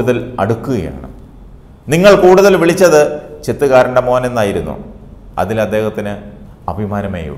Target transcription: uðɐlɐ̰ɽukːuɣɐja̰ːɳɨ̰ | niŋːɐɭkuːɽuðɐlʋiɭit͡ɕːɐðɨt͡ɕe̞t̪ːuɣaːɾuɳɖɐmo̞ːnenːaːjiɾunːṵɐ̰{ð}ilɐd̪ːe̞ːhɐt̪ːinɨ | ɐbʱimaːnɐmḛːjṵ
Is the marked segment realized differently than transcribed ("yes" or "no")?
no